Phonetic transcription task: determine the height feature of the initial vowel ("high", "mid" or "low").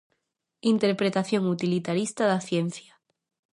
high